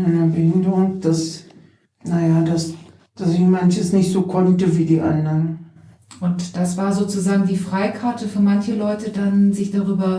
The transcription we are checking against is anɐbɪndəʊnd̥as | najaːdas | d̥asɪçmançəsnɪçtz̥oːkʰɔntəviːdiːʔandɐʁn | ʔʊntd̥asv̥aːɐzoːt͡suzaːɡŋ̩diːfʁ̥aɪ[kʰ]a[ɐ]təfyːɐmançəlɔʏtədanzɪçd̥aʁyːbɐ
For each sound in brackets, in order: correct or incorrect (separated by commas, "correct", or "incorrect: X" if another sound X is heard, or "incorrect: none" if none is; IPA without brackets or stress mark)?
correct, correct